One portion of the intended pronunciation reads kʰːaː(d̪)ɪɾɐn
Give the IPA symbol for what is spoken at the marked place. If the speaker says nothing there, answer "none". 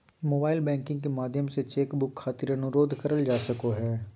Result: t̪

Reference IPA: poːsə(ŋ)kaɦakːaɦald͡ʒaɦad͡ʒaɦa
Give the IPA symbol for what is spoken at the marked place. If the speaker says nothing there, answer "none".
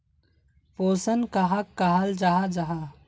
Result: n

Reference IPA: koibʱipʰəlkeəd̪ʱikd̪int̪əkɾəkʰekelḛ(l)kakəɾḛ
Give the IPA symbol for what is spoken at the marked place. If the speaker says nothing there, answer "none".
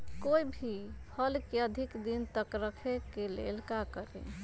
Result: l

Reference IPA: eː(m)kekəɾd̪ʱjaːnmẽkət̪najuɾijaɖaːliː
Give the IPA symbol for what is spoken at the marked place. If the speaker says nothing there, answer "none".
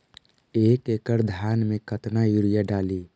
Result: none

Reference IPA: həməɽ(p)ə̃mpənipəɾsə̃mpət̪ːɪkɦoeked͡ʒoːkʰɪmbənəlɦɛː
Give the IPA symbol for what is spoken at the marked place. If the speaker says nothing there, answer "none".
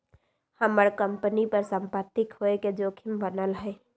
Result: k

